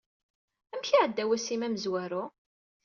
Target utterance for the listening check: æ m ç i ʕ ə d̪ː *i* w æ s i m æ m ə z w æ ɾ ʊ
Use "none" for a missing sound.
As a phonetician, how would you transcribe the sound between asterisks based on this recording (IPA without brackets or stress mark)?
æ